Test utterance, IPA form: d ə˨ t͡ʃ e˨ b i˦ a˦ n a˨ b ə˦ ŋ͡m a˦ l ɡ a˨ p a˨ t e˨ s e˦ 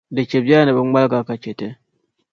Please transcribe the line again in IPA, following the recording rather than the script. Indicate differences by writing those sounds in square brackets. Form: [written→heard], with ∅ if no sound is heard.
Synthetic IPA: d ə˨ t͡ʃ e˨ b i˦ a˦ n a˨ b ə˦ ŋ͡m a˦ l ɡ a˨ [p→k] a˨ [t→t͡ʃ] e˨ [s→t] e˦